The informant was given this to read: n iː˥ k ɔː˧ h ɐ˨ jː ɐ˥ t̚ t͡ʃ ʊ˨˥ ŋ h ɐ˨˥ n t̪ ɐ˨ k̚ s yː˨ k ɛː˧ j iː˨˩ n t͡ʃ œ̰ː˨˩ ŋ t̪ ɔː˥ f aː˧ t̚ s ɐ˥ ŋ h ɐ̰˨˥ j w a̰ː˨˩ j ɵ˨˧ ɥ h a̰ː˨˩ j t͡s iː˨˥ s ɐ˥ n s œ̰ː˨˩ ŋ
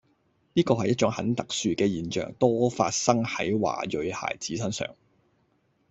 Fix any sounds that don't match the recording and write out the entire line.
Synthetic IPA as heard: n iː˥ k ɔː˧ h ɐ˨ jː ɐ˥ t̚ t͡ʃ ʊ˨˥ ŋ h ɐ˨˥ n t̪ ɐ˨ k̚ s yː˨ k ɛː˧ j iː˨˩ n t͡ʃ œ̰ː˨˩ ŋ t̪ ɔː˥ f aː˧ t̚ s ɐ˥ ŋ h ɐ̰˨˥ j w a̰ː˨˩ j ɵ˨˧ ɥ h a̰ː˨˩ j t͡s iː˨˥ s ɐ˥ n s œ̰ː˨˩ ŋ